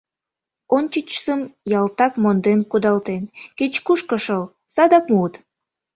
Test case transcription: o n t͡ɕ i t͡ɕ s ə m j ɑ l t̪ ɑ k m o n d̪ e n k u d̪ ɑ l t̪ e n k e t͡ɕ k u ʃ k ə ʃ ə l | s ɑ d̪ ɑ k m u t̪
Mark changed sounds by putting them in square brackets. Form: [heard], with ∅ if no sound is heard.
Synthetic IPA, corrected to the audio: o n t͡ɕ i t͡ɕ s ə m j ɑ l t̪ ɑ k m o n d̪ e n k u d̪ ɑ l t̪ e n k e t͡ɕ k u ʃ k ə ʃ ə l | s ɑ d̪ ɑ k m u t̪